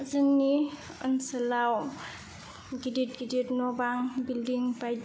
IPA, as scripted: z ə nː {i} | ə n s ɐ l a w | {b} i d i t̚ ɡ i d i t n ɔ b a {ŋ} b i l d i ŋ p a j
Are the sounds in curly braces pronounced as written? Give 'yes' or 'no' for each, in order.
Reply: yes, no, yes

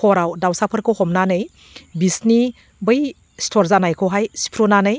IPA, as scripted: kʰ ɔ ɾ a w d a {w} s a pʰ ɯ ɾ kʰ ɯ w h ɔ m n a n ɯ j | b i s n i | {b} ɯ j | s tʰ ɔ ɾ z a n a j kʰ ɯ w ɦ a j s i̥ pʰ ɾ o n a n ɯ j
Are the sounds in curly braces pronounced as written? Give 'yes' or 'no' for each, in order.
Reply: yes, yes

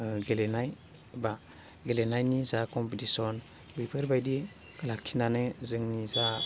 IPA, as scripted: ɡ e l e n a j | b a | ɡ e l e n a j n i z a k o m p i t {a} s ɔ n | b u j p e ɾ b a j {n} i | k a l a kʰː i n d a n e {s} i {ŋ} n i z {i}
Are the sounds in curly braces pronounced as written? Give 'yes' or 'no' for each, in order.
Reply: no, no, no, yes, no

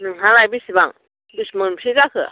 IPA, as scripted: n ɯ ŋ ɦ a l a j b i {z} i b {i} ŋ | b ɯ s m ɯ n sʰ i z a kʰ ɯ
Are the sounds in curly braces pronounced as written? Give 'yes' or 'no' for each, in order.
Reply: no, no

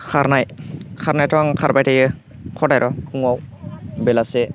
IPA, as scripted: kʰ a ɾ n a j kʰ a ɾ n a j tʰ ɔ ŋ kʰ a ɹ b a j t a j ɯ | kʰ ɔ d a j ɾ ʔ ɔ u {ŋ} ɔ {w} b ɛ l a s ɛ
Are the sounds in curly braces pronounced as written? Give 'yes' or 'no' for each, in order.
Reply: yes, yes

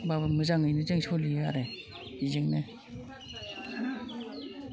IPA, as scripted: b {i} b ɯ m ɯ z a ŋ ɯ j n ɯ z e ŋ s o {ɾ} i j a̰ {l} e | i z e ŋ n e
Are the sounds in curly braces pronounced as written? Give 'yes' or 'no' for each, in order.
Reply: no, no, no

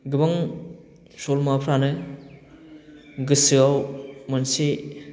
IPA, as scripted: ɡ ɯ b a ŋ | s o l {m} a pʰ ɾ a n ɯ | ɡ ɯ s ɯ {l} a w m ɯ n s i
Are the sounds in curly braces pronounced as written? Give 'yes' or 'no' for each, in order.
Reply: yes, no

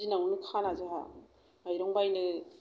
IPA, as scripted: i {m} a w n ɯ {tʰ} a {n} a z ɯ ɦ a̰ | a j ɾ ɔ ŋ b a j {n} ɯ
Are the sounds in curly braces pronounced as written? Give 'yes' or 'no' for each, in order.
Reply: no, no, yes, yes

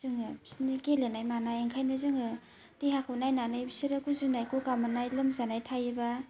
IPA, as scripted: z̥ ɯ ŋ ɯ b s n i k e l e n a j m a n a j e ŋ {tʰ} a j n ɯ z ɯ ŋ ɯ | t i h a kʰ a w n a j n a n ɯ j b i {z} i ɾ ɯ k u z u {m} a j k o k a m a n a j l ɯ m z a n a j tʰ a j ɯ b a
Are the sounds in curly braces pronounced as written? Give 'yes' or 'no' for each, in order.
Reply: no, no, no

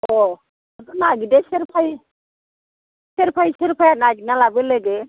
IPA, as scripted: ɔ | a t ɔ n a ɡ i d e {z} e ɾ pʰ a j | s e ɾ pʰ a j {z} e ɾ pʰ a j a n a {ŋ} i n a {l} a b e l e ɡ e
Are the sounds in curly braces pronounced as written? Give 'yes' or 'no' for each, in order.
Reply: no, no, no, yes

